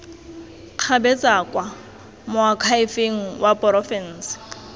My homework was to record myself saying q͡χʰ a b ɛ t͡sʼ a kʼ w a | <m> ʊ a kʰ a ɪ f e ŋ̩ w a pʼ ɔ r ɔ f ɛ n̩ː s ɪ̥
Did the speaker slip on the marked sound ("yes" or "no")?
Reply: no